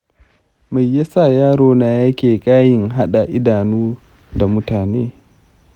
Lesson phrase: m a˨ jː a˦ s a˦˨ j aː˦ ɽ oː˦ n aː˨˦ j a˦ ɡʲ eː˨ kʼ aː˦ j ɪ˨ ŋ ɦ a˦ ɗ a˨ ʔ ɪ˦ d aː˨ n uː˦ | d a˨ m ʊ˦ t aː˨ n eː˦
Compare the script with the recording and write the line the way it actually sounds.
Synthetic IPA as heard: m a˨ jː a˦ s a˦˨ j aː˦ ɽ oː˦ n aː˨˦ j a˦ kʲ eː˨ kʼ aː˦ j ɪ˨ ŋ ɦ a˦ ɗ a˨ ʔ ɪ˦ d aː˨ n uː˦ | d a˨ m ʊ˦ t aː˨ n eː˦